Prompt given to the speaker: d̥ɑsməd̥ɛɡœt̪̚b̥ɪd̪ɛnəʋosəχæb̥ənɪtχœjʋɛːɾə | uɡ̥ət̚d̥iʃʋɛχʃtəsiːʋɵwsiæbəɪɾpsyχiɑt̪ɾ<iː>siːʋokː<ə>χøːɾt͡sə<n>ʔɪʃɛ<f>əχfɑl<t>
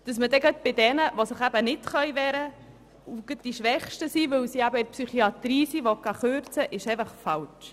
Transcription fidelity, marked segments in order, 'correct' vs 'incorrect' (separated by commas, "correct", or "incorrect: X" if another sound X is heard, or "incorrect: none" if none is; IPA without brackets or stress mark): correct, incorrect: ɑ, incorrect: none, correct, incorrect: t͡ʃ